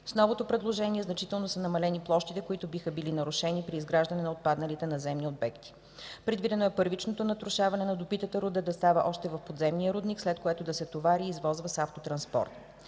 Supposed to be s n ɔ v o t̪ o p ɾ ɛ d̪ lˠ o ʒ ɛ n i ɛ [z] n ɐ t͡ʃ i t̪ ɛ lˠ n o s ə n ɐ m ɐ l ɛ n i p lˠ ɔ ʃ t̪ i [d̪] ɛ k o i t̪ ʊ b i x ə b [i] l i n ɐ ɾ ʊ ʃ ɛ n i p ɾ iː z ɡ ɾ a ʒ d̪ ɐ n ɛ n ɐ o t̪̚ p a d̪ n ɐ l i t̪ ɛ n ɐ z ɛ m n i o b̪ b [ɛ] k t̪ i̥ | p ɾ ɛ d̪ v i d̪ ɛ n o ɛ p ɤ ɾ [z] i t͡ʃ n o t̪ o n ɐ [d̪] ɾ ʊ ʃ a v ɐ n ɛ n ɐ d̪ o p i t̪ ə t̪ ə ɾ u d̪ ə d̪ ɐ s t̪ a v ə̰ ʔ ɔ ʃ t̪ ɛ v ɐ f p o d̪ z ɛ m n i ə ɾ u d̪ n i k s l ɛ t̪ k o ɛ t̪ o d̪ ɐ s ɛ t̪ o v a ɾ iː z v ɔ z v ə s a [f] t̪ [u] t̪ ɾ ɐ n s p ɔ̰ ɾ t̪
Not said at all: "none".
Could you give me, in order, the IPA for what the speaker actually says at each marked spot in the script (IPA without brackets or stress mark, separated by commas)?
z, t̪, i, ɛ, v, t̪, f, o